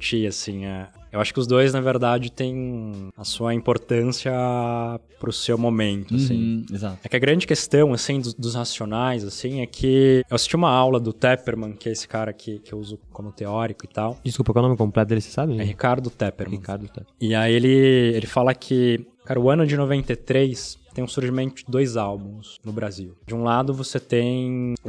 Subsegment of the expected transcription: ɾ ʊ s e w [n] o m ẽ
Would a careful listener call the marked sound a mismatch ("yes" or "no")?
yes